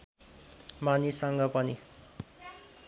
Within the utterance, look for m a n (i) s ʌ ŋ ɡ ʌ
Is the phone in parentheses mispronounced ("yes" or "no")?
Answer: no